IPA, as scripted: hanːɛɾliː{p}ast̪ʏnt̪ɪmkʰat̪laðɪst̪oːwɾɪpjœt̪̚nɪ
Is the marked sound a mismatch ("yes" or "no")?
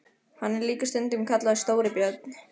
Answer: yes